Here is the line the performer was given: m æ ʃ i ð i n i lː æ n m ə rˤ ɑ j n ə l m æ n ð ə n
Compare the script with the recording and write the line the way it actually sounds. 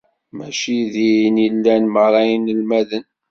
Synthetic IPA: m æ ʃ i ð i n i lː æ n m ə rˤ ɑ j n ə l m æ ð ə n